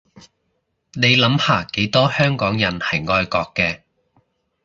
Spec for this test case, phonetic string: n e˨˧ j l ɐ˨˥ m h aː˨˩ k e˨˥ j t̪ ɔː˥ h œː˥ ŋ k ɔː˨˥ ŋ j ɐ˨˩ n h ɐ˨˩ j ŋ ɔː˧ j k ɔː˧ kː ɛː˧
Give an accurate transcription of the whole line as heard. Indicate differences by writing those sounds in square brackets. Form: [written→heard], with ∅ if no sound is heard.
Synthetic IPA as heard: n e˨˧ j l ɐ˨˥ m h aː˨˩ k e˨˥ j t̪ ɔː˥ h œː˥ ŋ k ɔː˨˥ ŋ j ɐ˨˩ n h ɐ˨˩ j ŋ ɔː˧ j k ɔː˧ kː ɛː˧